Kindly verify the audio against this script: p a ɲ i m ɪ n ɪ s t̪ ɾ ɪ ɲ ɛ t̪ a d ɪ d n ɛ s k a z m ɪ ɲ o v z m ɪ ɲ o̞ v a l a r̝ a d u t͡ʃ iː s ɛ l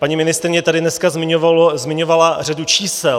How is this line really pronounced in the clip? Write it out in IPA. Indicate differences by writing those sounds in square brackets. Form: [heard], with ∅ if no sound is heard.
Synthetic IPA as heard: p a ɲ i m ɪ n ɪ s t̪ ɾ ɪ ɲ ɛ t̪ a d ɪ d n ɛ s k a z m ɪ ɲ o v z m ɪ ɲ o̞ v a l a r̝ a d u t͡ʃ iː s ɛ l